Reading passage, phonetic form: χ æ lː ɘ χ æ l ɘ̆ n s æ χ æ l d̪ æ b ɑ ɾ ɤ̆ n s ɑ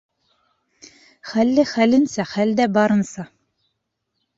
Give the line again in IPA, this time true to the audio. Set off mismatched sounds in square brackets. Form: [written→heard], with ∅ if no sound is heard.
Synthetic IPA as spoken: χ æ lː ɘ χ æ l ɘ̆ n s æ χ æ l d̪ æ b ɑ ɾ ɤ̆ n s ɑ

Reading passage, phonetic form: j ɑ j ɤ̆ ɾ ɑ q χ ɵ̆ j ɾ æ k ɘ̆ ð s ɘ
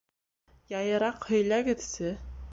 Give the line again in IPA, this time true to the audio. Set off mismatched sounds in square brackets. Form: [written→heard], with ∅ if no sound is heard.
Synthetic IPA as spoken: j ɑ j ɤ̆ ɾ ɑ q [χ→h] ɵ̆ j [ɾ→l] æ [k→ɡ] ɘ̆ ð s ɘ

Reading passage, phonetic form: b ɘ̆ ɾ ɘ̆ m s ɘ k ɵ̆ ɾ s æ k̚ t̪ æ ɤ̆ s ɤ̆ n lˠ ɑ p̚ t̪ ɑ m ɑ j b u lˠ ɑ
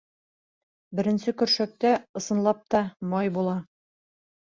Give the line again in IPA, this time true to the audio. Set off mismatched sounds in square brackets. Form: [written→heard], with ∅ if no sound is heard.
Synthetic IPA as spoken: b ɘ̆ ɾ ɘ̆ [m→n] s ɘ k ɵ̆ ɾ [s→ʃ] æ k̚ t̪ æ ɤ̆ s ɤ̆ n lˠ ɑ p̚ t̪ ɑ m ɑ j b u lˠ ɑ

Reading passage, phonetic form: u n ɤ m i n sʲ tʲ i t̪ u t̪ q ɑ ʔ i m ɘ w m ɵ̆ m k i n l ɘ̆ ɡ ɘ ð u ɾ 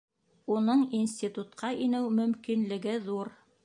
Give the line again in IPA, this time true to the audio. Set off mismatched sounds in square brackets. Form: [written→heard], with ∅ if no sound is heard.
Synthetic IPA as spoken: u n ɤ [m→ɴ] i n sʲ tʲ i t̪ u t̪ q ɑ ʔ i [m→n] ɘ w m ɵ̆ m k i n l ɘ̆ ɡ ɘ ð u ɾ

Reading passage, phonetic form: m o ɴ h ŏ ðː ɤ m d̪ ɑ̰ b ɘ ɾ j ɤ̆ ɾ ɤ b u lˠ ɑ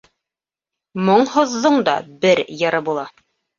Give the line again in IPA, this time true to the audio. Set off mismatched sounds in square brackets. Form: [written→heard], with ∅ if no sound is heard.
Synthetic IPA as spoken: m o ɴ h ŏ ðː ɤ [m→ɴ] d̪ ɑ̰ b ɘ ɾ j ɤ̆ ɾ ɤ b u lˠ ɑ

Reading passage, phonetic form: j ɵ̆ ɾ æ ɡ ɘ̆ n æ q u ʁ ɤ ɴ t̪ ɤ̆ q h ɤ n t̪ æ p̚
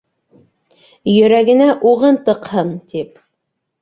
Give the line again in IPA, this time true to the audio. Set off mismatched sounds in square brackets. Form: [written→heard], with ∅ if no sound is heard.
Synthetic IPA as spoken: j ɵ̆ ɾ æ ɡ ɘ̆ n æ [q→ʔ] u ʁ ɤ [ɴ→n] t̪ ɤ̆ q h ɤ n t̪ [æ→i] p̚

